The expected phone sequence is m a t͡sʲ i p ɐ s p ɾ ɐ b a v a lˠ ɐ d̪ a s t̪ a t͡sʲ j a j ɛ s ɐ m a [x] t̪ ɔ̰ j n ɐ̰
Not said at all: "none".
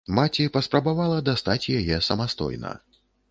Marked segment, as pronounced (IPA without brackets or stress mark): s